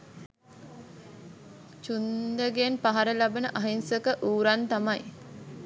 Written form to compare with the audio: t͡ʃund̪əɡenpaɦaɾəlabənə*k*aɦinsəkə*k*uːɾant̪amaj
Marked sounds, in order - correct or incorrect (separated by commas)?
incorrect, incorrect